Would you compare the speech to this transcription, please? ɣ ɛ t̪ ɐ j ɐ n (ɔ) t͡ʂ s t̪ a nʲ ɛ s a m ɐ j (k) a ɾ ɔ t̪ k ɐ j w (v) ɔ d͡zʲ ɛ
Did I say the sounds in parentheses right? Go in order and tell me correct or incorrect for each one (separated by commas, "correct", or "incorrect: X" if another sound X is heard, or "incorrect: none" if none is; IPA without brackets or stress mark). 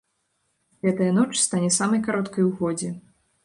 correct, correct, incorrect: ɣ